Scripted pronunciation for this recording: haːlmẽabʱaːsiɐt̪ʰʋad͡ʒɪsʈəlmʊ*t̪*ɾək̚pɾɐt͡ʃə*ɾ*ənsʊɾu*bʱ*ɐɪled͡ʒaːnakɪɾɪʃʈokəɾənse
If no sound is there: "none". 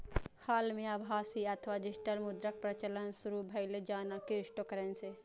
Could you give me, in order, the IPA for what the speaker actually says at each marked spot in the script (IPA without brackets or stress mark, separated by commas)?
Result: d̪, l, bʱ